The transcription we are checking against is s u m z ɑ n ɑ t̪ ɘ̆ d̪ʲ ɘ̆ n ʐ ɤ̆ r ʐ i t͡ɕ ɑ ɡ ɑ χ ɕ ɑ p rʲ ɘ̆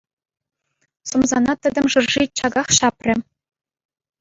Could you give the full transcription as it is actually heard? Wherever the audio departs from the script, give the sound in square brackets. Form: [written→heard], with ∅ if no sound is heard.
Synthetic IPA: s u m z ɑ n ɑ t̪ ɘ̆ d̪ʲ ɘ̆ [n→m] ʐ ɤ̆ r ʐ i t͡ɕ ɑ ɡ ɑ χ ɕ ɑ p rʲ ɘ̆